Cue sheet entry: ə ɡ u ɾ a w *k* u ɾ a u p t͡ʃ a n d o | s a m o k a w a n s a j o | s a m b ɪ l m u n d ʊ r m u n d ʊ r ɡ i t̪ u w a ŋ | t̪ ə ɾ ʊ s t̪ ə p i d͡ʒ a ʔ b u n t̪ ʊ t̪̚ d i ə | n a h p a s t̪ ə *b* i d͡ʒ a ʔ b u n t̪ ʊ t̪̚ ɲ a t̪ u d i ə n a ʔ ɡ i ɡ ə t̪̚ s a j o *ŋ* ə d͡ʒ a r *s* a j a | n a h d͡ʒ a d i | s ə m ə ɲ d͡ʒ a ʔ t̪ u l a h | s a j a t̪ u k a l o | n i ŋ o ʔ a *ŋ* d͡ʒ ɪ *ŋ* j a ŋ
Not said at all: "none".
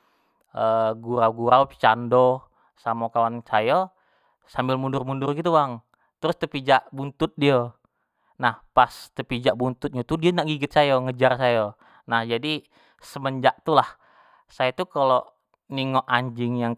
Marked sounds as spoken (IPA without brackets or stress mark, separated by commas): ɡ, p, ŋ, s, ɲ, ŋ